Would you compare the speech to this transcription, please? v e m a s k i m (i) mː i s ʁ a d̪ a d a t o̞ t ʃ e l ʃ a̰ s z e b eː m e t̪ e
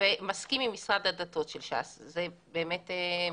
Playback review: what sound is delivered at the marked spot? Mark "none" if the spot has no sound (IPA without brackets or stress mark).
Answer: i